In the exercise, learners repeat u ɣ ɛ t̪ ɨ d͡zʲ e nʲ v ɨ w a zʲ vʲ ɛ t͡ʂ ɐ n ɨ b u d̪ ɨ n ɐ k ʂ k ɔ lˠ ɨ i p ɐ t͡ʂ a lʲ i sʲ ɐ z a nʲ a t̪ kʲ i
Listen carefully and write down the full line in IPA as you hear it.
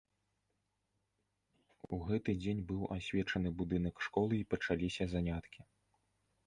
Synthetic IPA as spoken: u ɣ ɛ t̪ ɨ d͡zʲ e nʲ b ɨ w a sʲ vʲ ɛ t͡ʂ ɐ n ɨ b u d̪ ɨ n ɐ k ʂ k ɔ lˠ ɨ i p ɐ t͡ʂ a lʲ i sʲ ɐ z a nʲ a t̪ kʲ i